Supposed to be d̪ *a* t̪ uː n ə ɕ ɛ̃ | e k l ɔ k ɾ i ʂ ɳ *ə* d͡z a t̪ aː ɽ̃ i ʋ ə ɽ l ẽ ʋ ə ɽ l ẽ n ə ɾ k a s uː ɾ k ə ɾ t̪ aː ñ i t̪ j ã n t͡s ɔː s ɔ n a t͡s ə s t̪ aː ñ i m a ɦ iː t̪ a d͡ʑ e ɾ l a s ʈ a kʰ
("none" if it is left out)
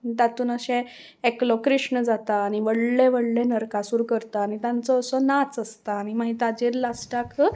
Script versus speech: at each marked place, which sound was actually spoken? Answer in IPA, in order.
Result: a, ə

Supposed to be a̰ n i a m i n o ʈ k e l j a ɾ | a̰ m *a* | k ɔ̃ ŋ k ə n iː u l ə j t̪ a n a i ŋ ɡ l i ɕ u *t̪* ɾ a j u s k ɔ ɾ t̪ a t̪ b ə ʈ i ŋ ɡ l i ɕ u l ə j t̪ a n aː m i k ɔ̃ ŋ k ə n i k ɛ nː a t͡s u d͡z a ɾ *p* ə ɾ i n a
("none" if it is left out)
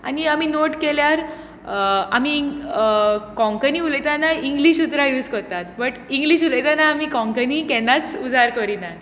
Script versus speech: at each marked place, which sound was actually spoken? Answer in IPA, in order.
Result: i, t̪, k

